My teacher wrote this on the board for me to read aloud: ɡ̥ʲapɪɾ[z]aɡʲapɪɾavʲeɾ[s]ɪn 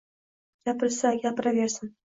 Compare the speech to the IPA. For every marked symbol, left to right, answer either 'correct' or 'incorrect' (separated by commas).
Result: incorrect, correct